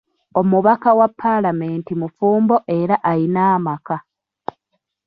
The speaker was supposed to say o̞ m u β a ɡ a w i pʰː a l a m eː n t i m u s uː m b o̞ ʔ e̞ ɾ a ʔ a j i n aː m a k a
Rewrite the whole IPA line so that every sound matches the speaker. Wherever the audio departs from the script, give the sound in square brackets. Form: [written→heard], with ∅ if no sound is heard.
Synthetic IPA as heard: o̞ m u β a [ɡ→k] a w [i→a] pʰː a l a m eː n t i m u [s→f] uː m b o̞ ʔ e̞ ɾ a ʔ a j i n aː m a k a